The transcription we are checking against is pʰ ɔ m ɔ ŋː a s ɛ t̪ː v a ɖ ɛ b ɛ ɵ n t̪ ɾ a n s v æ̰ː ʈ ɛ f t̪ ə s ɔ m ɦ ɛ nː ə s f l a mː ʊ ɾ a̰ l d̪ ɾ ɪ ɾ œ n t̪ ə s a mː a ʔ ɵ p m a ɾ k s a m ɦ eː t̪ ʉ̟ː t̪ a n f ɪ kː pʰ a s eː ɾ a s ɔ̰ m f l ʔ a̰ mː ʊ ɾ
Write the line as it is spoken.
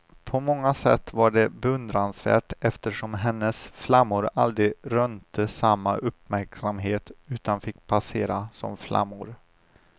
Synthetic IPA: pʰ ɔ m ɔ ŋː a s ɛ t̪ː v a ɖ ɛ b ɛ ɵ n d̪ ɾ a n s v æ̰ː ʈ ɛ f t̪ ə ʂ ɔ m ɦ ɛ nː ə s f l a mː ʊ ɾ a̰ l d̪ ɾ ɪ ɾ œ n t̪ ə s a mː a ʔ ɵ p m æ ɾ k s a m ɦ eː t̪ ʉ̟ː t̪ a n f ɪ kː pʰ a s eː ɾ a s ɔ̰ m f l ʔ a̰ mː ʊ ɾ

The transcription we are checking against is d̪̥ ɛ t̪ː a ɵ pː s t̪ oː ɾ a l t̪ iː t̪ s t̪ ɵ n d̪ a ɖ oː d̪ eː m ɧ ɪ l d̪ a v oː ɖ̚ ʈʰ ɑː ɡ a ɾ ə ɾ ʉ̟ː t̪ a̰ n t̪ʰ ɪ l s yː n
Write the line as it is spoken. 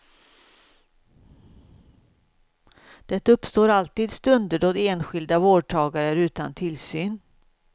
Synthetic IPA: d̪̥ ɛ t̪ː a ɵ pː s t̪ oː ɾ a l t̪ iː d̪ s t̪ ɵ n d̪ ə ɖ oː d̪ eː n ɧ ɪ l d̪ a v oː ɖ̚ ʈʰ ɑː ɡ a ɾ ə ɾ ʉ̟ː t̪ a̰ n t̪ʰ ɪ l s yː n

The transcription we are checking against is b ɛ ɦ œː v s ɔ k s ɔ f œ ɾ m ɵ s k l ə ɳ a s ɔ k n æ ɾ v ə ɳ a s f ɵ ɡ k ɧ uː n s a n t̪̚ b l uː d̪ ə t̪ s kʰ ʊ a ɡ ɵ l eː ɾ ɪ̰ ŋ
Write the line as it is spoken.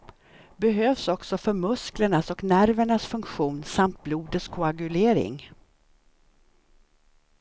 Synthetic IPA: b ɛ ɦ øː v s ɔ k s ɔ f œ ɾ m ɵ s k l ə ɳ a s ɔ k n æ ɾ v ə ɳ a s f ɵ ŋ k ɧ uː n s a m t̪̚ b l uː d̪ ə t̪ s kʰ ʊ a ɡ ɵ l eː ɾ ɪ̰ ŋ

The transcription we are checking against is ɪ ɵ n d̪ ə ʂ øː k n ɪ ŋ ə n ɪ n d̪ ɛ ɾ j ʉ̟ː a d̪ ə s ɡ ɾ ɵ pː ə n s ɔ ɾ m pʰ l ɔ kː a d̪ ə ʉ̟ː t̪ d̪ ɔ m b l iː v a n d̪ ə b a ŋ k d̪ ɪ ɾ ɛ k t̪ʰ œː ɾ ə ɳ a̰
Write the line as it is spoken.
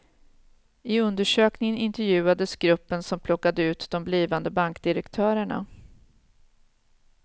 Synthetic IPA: ɪ ɵ n d̪ ə ʂ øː k n ɪ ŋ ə n ɪ n t̪ ɛ ɾ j ʉ̟ː a d̪ ə s ɡ ɾ ɵ pː ə n s ɔ m pʰ l ɔ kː a d̪ ə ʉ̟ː t̪ d̪ ɔ m b l iː v a n d̪ ə b a ŋ k d̪ ɪ ɾ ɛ k t̪ʰ œː ɾ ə ɳ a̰

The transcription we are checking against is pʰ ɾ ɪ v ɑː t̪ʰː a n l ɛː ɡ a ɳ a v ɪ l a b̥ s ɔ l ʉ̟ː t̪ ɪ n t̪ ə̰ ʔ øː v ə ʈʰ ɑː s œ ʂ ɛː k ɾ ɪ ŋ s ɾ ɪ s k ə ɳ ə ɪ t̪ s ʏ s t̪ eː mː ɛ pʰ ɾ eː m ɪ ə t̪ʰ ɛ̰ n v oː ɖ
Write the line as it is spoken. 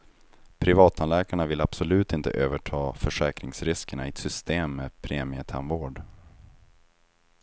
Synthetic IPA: pʰ ɾ ɪ v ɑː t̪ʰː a n l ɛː k a ɳ a v ɪ l a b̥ s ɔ l ʉ̟ː t̪ ɪ n t̪ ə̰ ʔ øː v ə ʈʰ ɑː f œ ʂ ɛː k ɾ ɪ ŋ s ɾ ɪ s k ə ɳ a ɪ t̪ s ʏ s t̪ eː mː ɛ pʰ ɾ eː m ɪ ə t̪ʰ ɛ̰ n v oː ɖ

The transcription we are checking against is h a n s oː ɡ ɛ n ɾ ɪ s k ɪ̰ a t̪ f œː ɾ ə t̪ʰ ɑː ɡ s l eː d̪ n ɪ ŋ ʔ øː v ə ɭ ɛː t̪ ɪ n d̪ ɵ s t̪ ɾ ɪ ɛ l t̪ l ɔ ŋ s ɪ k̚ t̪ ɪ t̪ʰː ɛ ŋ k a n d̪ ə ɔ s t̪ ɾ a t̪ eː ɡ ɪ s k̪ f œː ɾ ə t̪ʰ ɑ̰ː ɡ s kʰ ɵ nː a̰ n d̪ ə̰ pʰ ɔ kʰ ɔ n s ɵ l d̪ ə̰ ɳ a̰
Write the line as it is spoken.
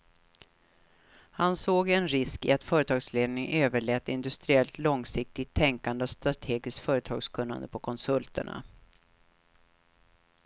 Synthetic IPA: h a n s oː ɡ ɛ n ɾ ɪ s k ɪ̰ a t̪ f œː ɾ ə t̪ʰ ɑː ɡ s l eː d̪ n ɪ ŋ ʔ øː v ə ɭ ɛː t̪ ɪ n d̪ ɵ s t̪ ɾ ɪ ɛ l t̪ l ɔ ŋ s ɪ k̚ t̪ ɪ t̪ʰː ɛ ŋ k a n d̪ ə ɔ s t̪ ɾ a t̪ʰ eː ɡ ɪ s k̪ f œː ɾ ə t̪ʰ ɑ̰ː ɡ s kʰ ɵ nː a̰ n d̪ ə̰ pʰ ɔ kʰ ɔ n s ɵ l t̪ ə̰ ɳ a̰

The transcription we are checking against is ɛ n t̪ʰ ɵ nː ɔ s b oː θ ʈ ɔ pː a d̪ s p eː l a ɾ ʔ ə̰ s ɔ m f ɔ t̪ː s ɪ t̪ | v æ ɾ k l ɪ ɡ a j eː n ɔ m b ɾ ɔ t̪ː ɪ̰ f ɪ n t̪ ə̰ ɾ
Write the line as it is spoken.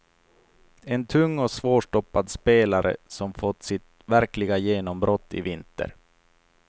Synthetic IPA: ɛ n t̪ʰ ɵ ŋː ɔ s v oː ʂ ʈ ɔ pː a d̪ s p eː l a ɾ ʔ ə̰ s ɔ m f ɔ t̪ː s ɪ t̪ | v æ ɾ k l ɪ ɡ a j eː n ɔ m b ɾ ɔ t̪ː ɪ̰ v ɪ n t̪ ə̰ ɾ

